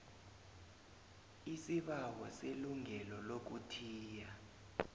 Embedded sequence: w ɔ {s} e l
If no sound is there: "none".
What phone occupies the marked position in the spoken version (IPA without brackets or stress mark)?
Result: s